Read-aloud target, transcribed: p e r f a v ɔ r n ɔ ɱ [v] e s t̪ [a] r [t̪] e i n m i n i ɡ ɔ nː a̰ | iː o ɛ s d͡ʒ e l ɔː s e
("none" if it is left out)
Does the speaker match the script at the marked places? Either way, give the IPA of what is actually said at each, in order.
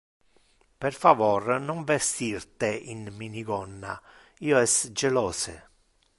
v, i, t̪

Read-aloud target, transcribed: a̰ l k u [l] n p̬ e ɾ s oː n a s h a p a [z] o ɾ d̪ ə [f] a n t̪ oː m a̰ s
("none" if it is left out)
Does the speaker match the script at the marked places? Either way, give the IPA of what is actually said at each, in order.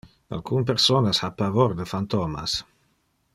none, v, f

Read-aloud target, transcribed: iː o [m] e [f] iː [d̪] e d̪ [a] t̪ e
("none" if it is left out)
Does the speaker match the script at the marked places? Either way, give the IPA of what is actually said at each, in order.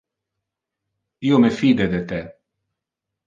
m, f, d̪, e

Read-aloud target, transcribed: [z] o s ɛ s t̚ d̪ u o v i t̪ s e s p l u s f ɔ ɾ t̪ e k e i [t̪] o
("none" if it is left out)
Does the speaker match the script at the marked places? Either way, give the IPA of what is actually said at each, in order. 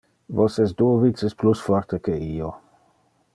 v, none

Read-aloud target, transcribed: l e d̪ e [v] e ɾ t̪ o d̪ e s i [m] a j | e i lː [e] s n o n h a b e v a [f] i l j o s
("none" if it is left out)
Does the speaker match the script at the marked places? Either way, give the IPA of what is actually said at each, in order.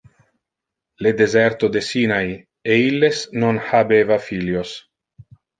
z, n, e, f

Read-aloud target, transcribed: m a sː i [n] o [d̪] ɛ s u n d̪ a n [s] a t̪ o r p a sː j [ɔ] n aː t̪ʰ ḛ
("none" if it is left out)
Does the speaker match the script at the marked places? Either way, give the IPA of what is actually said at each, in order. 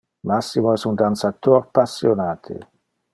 m, none, s, o

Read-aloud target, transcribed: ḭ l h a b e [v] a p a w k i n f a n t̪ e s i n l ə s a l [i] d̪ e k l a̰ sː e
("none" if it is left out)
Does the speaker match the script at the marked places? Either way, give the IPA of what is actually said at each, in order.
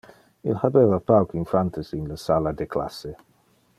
v, a

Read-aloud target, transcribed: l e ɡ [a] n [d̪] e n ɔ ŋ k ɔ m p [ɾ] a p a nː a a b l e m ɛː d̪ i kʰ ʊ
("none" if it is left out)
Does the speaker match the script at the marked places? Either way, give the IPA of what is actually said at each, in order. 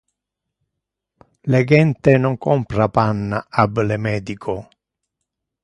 ɛ, t̪, ɾ

